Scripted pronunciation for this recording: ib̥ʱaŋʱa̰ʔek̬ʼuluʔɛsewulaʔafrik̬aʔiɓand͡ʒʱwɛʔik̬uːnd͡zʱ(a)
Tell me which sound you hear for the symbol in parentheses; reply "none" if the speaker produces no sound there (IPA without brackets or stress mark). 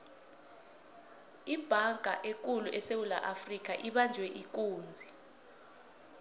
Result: i